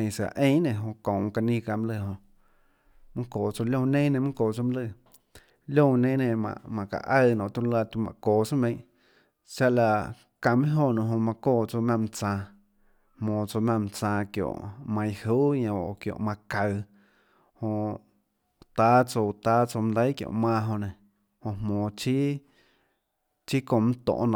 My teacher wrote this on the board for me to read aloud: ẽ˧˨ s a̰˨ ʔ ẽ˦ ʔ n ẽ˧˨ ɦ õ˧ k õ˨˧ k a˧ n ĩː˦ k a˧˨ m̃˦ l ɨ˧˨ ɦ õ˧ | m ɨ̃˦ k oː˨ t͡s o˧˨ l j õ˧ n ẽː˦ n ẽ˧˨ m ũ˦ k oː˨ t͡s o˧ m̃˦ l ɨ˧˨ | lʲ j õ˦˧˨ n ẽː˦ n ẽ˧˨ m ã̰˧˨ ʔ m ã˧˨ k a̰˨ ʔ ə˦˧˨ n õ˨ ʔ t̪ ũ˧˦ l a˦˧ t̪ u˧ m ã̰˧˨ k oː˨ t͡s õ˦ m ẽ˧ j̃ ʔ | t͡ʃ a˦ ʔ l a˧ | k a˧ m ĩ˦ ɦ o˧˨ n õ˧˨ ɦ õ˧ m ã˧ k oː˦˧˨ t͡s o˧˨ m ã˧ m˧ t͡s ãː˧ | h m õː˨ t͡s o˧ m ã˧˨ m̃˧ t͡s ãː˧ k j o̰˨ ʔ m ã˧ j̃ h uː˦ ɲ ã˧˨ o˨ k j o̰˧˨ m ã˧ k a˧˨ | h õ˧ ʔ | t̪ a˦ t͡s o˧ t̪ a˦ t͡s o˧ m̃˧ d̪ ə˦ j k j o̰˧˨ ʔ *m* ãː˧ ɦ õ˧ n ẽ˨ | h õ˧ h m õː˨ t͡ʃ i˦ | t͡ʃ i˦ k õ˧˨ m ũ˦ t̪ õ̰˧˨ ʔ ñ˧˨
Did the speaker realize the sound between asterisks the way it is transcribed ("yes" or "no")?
yes